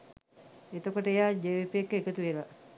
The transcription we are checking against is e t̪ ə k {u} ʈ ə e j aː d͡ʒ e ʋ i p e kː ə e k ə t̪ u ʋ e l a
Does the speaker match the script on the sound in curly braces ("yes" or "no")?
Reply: no